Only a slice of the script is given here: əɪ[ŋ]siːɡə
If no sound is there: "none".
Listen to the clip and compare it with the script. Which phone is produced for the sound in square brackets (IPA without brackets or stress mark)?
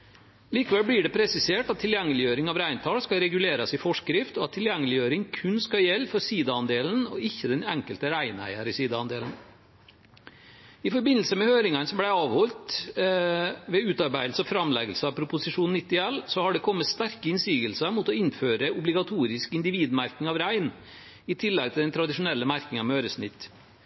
n